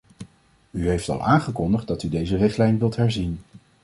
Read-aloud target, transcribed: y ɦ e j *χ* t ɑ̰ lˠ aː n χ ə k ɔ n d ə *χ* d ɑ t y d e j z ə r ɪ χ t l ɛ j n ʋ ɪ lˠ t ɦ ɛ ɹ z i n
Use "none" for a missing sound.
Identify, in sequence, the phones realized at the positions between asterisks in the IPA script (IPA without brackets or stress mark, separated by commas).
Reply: f, χ